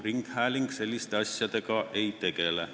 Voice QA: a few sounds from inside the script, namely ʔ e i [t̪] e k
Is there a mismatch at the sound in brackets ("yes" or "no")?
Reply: no